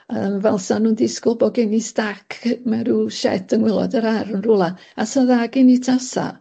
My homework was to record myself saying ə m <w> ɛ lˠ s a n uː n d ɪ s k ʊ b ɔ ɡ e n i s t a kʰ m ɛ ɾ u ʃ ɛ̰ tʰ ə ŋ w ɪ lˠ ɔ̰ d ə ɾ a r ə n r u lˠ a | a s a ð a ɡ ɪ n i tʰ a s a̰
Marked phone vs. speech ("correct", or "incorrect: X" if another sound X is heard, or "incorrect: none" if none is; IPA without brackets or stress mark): incorrect: v